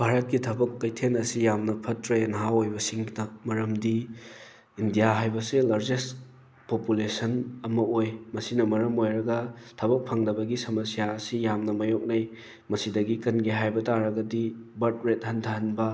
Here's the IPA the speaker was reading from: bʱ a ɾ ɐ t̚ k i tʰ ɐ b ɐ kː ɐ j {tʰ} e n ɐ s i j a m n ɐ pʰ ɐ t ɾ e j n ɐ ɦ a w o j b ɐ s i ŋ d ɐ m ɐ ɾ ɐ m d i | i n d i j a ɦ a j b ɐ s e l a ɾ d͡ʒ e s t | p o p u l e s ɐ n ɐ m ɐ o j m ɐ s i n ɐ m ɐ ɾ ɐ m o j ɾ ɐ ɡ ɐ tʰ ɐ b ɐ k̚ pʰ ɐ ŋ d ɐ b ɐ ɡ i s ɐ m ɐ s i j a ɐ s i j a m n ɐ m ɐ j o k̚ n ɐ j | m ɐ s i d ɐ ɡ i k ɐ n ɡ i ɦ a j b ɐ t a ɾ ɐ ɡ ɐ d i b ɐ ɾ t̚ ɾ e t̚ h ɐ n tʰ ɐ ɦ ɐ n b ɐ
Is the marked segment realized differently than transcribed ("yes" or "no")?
no